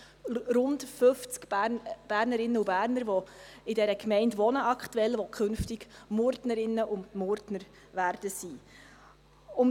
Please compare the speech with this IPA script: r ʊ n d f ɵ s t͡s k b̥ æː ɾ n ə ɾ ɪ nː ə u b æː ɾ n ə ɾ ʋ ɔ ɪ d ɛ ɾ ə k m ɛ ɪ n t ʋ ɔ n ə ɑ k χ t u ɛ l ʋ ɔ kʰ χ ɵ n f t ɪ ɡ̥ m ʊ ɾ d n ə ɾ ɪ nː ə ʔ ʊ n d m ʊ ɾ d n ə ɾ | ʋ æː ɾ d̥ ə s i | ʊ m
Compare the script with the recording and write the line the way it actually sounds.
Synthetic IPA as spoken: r ʊ n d f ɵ f t͡s k b̥ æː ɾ n ə ɾ ɪ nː ə u b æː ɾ n ə ɾ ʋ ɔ ɪ d ɛ ɾ ə k m ɛ ɪ n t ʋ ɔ n ə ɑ k χ t u ɛ l ʋ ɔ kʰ χ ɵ n f t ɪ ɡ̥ m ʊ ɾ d n ə ɾ ɪ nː ə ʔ ʊ n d m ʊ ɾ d n ə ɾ | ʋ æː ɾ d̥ ə s i | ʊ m